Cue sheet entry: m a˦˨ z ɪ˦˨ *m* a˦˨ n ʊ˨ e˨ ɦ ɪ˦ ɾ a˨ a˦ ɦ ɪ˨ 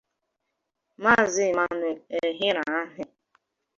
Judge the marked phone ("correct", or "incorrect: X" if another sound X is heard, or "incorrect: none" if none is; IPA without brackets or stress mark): correct